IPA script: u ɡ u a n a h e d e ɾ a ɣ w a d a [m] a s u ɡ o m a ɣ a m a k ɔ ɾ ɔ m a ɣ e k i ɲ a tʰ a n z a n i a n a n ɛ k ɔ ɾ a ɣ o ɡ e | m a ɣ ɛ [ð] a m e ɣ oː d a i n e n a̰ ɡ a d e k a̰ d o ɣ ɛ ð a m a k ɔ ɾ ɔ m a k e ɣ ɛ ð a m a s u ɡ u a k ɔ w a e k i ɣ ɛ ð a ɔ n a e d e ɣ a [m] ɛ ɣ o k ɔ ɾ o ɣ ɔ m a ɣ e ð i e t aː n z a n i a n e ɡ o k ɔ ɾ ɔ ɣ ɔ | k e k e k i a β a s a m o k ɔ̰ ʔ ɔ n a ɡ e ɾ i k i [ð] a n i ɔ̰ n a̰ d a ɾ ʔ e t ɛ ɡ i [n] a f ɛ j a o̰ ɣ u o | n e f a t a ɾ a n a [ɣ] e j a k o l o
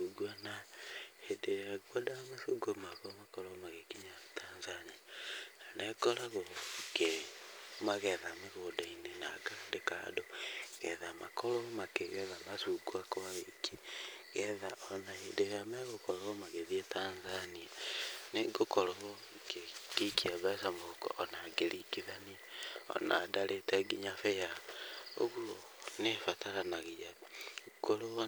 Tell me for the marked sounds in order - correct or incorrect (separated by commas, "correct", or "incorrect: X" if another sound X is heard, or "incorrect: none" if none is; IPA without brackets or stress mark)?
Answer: correct, correct, correct, correct, incorrect: ɲ, correct